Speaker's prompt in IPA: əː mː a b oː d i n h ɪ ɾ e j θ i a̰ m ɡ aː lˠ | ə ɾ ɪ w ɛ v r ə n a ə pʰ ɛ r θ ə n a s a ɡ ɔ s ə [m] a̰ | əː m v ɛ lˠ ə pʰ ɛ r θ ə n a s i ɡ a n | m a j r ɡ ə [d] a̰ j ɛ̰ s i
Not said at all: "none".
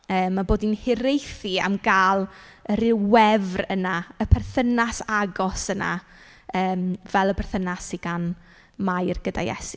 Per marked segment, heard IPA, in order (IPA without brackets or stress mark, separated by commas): n, d